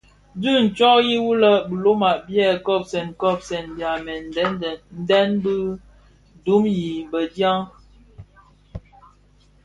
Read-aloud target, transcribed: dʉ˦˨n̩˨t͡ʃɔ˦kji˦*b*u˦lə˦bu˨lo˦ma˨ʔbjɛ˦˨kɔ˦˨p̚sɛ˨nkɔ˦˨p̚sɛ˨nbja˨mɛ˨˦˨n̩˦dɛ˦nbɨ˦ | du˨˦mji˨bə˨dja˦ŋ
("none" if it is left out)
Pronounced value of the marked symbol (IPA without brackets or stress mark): w